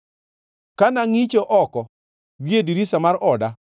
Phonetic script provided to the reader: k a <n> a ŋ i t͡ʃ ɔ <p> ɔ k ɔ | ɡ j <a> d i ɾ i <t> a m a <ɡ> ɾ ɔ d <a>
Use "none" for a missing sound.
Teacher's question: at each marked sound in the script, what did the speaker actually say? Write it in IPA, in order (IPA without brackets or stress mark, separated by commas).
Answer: n, ʔ, e, s, none, a